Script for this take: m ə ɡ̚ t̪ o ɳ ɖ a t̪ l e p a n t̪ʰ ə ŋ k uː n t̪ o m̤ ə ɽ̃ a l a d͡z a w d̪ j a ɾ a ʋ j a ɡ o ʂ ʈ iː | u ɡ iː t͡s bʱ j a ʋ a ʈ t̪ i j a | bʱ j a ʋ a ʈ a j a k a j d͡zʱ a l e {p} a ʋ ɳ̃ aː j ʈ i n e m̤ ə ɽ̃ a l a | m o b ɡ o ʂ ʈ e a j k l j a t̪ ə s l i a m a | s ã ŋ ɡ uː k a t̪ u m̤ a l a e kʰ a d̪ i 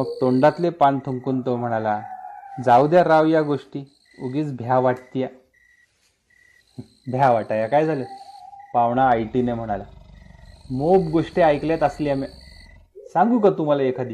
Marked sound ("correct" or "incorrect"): correct